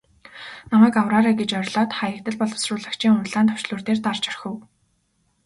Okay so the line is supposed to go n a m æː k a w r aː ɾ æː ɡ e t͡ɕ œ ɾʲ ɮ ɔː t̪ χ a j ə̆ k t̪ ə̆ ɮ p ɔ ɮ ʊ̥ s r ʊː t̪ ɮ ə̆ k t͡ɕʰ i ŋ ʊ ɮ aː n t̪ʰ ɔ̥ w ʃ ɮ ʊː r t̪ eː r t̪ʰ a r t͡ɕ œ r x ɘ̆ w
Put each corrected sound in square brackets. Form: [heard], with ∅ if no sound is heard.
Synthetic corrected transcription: n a m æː k a w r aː ɾ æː ɡ e t͡ɕ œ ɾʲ ɮ ɔː t̪ χ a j ə̆ k t̪ ə̆ ɮ p ɔ ɮ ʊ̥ s r ʊː [∅] ɮ ə̆ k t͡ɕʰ [iː] ŋ ʊ ɮ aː n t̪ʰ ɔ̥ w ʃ ɮ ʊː r t̪ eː r [t̪] a r t͡ɕ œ r x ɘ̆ w